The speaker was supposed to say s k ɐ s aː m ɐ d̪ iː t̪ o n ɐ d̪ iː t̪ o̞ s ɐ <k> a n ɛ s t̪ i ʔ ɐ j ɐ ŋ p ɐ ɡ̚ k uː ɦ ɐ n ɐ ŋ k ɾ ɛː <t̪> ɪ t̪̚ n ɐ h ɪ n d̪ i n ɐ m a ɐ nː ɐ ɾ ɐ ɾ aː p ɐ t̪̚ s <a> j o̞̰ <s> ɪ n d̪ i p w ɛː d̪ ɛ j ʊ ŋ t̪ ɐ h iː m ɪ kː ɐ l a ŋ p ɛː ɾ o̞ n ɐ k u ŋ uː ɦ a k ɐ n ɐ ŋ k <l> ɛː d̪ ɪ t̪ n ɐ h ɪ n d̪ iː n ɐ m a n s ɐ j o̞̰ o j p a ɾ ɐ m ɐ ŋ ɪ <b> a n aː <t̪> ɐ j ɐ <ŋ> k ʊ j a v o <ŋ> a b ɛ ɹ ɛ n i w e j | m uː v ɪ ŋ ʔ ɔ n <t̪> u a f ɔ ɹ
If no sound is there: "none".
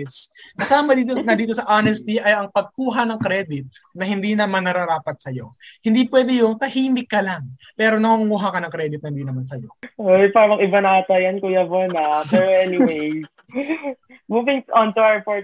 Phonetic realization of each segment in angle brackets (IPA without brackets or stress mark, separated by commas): ʔ, d̪, ɐ, h, ɾ, b, t̪, n, n, t̪